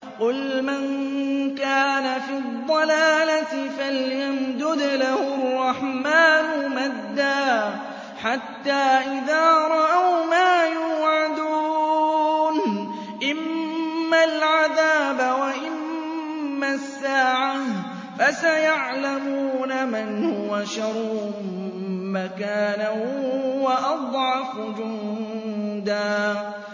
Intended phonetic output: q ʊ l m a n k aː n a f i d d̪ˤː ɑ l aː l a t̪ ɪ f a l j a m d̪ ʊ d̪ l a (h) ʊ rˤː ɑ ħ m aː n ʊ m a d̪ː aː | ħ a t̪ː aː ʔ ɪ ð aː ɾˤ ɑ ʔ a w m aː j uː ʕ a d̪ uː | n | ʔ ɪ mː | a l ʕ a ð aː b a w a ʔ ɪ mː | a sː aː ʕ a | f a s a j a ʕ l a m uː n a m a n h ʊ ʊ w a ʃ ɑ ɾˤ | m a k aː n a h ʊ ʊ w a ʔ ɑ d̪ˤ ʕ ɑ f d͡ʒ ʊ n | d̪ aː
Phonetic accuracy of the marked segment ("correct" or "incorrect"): correct